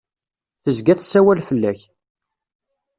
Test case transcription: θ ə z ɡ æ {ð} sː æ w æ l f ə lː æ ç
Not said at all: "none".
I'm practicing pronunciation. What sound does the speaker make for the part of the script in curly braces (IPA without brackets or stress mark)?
θ